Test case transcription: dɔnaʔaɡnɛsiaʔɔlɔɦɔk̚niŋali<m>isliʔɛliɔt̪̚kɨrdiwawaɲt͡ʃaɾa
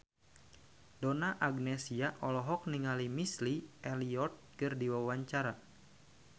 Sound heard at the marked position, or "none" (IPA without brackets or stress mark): m